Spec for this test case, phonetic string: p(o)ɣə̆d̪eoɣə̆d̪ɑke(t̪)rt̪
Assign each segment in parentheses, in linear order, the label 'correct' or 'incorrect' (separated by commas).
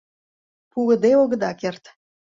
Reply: incorrect, incorrect